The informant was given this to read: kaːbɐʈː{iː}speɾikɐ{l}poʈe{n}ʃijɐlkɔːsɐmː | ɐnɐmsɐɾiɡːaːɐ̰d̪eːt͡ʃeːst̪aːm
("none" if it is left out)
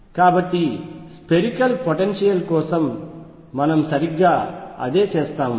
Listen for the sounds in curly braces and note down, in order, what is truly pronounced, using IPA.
i, l, n

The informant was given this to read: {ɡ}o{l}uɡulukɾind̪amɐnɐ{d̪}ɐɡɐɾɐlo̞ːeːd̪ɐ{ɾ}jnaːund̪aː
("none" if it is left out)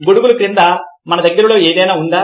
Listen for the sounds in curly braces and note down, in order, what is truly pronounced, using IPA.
ɡ, ɽ, d̪, none

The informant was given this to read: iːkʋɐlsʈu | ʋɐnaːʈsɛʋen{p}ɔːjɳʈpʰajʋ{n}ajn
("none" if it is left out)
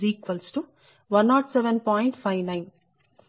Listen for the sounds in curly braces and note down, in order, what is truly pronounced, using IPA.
p, n

